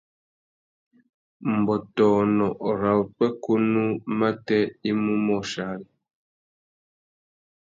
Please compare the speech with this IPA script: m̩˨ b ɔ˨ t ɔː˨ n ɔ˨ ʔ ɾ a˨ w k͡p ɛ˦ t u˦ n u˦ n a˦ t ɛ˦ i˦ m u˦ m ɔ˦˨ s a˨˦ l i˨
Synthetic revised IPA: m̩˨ b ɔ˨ t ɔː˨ n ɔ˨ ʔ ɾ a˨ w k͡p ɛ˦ k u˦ n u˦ m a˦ t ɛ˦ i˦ m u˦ m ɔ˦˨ ʃ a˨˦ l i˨